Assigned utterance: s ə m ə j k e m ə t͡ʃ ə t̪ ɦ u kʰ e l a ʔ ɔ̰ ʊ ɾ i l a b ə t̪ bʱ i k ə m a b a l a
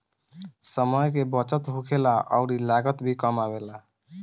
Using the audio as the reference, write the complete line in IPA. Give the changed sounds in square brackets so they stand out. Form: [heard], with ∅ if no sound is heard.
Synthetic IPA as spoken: s ə m ə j k e [b] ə t͡ʃ ə t̪ ɦ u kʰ e l a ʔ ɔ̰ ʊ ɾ i l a [ɡ] ə t̪ bʱ i k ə m a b [e] l a